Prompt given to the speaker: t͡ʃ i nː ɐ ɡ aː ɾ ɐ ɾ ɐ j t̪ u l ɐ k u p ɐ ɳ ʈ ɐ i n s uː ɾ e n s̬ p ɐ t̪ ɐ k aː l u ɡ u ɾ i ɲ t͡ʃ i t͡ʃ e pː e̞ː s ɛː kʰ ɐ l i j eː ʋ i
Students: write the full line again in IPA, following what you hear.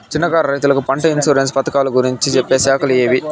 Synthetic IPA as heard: t͡ʃ i nː ɐ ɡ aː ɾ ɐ ɾ ɐ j t̪ u l ɐ k u p ɐ ɳ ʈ ɐ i n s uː ɾ e n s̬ p ɐ t̪ ɐ k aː l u ɡ u ɾ i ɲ t͡ʃ i t͡ʃ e pː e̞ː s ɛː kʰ ɐ l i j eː ʋ i